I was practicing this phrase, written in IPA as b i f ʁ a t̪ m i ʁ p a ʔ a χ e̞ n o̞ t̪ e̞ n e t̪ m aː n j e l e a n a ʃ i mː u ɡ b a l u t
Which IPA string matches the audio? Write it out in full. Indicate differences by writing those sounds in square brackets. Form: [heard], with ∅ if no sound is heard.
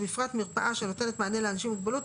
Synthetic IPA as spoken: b i f ʁ a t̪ m i ʁ p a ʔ a [ʃ] e̞ n o̞ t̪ e̞ n e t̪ m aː n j e l e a n a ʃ i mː u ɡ b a l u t